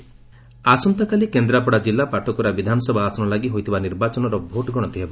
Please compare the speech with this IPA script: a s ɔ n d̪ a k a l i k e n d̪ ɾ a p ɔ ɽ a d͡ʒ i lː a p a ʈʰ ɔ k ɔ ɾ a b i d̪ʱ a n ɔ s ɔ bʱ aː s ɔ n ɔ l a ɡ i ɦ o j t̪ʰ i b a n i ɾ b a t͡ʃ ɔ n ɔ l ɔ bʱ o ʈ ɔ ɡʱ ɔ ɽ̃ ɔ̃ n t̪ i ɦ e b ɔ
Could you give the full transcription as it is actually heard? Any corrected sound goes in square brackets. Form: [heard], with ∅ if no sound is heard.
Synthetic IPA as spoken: a s ɔ n [t̪] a k a l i k e n d̪ ɾ a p ɔ ɽ a d͡ʒ i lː a p a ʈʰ ɔ k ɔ ɾ a b i d̪ʱ a n ɔ s ɔ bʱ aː s ɔ n ɔ l a ɡ i ɦ o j t̪ʰ i b a n i ɾ b a t͡ʃ ɔ n ɔ [ɾ] ɔ bʱ o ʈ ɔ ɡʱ ɔ ɽ̃ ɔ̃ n t̪ i ɦ e b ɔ